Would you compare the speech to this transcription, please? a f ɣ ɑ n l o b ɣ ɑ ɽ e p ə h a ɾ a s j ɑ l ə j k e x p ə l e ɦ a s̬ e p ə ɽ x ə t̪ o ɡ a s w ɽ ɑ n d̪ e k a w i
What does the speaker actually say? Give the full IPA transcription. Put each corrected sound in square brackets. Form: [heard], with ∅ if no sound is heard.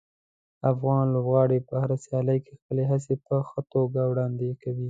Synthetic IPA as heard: a f ɣ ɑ n l o b ɣ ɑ ɽ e p ə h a ɾ a s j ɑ l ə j k e x p ə l e ɦ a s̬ e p ə [∅] x ə t̪ o ɡ a [∅] w ɽ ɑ n d̪ e k a w i